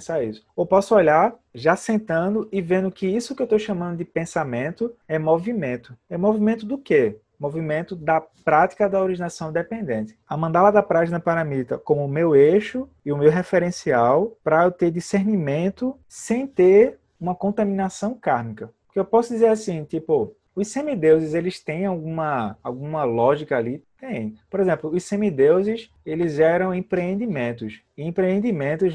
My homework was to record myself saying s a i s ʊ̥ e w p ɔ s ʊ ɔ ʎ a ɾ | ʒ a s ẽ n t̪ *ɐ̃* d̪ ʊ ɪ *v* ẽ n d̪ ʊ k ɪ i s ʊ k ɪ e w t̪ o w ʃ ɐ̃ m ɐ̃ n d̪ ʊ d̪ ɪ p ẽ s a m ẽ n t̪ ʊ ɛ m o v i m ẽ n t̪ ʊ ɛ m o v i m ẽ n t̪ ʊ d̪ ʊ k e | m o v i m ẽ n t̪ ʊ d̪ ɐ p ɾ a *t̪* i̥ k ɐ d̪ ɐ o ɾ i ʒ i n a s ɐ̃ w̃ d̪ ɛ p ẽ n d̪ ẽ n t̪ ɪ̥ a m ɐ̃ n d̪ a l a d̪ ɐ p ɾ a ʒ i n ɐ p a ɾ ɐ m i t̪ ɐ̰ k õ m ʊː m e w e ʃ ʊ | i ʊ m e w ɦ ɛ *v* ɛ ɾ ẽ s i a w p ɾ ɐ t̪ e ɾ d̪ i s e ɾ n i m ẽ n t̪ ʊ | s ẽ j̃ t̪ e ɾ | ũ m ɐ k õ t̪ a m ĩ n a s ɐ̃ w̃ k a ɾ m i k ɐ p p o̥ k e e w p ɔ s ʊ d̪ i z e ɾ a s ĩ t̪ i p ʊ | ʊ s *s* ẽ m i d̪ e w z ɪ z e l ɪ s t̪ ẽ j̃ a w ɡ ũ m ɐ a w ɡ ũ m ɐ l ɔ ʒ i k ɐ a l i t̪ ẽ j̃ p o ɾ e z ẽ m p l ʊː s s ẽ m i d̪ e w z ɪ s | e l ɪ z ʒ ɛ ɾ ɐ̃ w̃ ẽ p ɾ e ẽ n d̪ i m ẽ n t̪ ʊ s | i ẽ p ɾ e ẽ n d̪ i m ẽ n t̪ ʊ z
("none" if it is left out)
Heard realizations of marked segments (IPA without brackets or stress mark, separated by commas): ɐ̃, v, t̪, f, s